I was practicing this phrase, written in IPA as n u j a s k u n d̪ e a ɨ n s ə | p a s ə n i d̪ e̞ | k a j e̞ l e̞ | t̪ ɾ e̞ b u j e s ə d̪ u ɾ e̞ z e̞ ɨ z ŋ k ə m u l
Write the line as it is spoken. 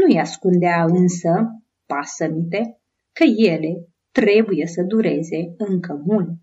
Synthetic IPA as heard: n u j a s k u n d̪ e a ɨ n s ə | p a s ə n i t̪ e̞ | k ə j e̞ l e̞ | t̪ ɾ e̞ b u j e s ə d̪ u ɾ e̞ z e̞ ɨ ŋ k ə m u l